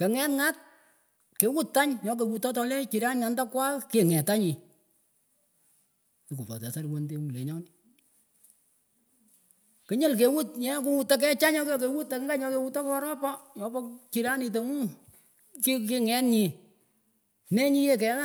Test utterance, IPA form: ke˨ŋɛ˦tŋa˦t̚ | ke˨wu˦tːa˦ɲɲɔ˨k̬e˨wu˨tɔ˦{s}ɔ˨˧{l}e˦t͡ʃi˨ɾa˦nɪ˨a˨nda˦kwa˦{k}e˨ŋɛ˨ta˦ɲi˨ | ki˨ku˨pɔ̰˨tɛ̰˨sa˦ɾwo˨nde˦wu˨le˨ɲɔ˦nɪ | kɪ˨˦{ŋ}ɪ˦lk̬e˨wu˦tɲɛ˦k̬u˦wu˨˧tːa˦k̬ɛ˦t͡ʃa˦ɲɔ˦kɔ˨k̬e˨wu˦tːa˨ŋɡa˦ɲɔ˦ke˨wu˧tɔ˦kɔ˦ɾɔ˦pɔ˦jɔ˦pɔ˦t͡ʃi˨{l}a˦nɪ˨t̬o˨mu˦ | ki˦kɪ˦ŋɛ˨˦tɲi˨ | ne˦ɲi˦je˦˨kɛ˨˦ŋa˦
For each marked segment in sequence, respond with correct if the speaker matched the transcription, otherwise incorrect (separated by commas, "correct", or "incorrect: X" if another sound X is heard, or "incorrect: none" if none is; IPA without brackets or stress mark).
incorrect: t, correct, correct, incorrect: ɲ, incorrect: ɾ